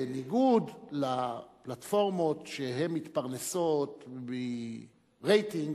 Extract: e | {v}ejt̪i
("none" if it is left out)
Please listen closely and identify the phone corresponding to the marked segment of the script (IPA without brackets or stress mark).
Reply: ʁ